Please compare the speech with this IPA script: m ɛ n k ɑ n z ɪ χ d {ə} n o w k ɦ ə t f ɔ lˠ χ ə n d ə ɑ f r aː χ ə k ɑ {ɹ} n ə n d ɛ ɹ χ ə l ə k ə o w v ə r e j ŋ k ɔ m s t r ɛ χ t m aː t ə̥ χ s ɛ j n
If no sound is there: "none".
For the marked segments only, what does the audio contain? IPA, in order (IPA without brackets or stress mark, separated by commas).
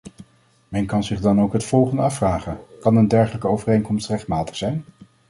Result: ɑ, none